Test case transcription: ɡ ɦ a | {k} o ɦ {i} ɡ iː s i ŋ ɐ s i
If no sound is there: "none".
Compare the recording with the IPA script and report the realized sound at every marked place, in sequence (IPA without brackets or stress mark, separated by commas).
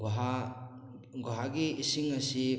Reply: ɡ, a